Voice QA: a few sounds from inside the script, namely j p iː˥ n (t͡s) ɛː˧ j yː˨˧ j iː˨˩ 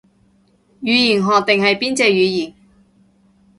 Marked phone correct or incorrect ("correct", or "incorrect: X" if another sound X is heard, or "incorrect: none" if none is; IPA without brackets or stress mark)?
correct